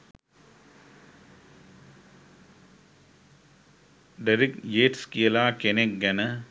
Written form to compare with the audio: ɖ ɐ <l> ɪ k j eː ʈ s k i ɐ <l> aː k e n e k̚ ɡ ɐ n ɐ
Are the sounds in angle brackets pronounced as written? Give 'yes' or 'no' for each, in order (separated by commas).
no, yes